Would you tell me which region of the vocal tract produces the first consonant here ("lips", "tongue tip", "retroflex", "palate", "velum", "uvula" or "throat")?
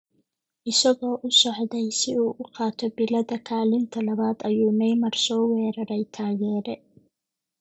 throat